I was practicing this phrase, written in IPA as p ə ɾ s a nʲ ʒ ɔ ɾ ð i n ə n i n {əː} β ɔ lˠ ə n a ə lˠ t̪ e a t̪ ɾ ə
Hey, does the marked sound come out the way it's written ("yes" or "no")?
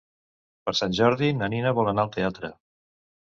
no